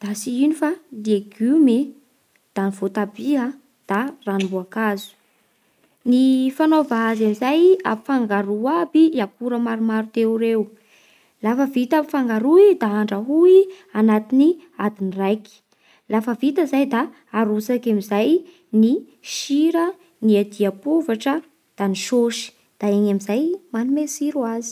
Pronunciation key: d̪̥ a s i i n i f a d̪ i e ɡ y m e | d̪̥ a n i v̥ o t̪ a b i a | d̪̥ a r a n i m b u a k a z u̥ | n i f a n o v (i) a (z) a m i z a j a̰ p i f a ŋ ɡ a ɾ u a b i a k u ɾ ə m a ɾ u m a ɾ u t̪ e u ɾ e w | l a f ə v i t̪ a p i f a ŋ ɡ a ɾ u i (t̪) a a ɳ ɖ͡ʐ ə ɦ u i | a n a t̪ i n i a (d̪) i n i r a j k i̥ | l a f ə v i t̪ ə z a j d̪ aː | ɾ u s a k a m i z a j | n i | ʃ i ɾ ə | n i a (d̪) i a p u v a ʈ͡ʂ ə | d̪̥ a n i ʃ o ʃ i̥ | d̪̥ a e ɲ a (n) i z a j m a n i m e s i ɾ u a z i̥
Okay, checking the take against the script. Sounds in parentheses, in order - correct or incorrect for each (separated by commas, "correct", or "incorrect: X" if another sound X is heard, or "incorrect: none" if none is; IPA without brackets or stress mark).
incorrect: a, correct, incorrect: d̪, correct, correct, incorrect: m